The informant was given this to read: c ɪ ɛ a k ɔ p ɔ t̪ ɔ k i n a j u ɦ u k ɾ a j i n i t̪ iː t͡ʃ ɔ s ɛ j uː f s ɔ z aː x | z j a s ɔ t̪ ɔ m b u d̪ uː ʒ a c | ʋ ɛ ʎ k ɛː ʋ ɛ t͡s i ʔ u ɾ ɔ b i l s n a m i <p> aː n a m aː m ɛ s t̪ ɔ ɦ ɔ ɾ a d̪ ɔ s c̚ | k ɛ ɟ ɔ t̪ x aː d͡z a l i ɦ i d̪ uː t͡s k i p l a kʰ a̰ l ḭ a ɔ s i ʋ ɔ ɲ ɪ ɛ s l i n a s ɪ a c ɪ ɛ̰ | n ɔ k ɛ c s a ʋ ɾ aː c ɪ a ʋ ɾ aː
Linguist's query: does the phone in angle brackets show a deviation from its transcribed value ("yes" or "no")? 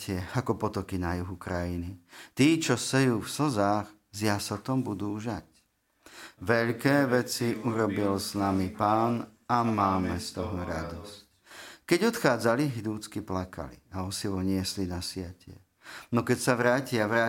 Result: no